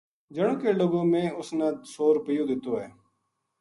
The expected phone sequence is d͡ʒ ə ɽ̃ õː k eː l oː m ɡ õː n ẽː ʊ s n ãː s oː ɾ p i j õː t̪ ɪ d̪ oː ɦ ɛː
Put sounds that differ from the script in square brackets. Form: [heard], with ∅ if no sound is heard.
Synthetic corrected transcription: d͡ʒ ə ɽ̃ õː k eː l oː [∅] ɡ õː [m] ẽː ʊ s n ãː s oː ɾ p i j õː [d̪] ɪ [t̪] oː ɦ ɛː

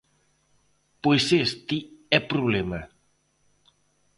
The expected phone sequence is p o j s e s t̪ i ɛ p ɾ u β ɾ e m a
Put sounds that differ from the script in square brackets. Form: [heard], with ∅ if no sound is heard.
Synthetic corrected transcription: p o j s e s t̪ i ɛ p ɾ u β [l] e m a

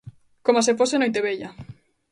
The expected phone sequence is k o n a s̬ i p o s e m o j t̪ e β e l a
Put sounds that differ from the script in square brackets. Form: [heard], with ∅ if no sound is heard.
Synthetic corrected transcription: k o [m] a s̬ [e] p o s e [n] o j t̪ e β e [ʎ] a

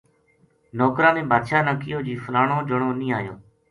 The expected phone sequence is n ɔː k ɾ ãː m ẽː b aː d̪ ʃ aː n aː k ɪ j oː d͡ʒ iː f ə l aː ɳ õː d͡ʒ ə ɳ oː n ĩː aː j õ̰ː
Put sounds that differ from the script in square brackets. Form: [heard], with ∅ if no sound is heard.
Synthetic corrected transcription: n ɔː k ɾ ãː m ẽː b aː d̪ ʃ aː n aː k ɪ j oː d͡ʒ iː f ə l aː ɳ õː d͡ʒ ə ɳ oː n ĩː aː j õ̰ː

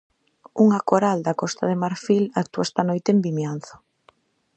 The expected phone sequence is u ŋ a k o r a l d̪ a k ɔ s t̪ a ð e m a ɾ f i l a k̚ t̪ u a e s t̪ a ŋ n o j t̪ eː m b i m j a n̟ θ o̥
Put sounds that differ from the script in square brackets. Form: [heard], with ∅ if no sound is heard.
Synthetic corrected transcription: u ŋ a k o [ɾ] a l d̪ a k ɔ s t̪ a ð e m a ɾ f i l a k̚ t̪ u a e s t̪ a [∅] n o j t̪ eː m b i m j a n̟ θ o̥

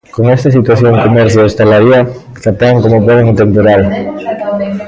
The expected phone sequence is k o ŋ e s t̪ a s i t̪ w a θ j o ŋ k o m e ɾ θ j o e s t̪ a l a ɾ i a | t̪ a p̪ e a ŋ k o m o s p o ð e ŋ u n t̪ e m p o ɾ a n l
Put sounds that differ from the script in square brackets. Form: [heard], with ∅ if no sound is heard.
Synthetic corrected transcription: k o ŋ e s t̪ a s i t̪ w a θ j o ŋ k o m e ɾ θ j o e s t̪ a l a ɾ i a | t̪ a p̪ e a ŋ k o m o [∅] p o ð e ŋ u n t̪ e m p o ɾ a [∅] l

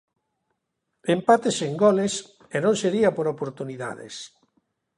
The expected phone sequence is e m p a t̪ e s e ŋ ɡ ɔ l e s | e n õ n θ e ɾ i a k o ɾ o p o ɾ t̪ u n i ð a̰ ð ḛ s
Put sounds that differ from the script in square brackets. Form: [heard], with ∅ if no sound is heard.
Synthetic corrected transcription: e m p a t̪ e s e ŋ ɡ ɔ l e s | e n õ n [s] e ɾ i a [p] o ɾ o p o ɾ t̪ u n i ð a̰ ð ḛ s

